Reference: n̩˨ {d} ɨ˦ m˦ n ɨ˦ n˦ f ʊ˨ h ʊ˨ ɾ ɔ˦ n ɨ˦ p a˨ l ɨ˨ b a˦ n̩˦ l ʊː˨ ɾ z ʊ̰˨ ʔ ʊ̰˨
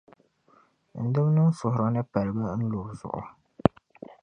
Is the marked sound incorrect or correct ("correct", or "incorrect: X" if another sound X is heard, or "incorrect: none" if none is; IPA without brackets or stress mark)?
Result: correct